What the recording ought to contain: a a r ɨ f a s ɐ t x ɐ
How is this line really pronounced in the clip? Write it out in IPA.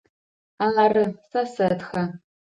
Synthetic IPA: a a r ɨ s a s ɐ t x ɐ